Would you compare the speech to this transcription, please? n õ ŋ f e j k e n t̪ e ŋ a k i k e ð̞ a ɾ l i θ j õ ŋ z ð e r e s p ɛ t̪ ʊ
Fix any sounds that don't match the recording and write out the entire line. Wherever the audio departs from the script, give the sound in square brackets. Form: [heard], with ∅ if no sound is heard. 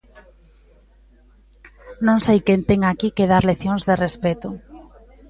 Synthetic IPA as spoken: n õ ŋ [s] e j k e n t̪ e ŋ a k i k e ð̞ a ɾ l [e] θ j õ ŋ z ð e r e s p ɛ t̪ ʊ